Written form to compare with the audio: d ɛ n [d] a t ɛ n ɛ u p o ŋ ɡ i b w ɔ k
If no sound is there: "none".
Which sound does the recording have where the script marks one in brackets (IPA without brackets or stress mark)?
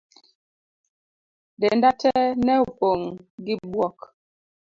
d